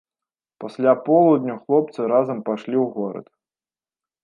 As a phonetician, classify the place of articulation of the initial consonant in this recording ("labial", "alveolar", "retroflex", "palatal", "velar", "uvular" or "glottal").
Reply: labial